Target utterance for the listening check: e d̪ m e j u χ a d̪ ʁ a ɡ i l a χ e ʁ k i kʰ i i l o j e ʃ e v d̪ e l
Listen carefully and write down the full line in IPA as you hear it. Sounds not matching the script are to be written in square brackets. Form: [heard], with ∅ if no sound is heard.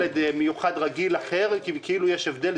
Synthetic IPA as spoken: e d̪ m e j u χ a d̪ ʁ a ɡ i l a χ e ʁ k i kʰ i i l [u] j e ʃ e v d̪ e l